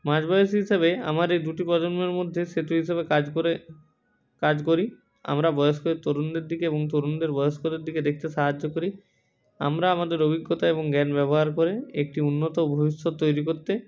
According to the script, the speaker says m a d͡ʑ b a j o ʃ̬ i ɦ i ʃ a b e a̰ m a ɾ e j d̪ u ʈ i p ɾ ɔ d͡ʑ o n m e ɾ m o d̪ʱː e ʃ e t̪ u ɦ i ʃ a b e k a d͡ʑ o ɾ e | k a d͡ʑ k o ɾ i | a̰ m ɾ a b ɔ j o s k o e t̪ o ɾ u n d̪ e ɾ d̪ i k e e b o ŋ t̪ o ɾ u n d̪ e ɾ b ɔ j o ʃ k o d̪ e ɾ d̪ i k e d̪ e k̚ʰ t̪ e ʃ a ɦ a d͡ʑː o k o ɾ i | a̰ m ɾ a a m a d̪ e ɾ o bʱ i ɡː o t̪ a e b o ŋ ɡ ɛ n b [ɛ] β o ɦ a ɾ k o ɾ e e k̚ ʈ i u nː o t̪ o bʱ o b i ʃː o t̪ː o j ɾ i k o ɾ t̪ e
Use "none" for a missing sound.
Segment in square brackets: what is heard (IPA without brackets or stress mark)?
ɛ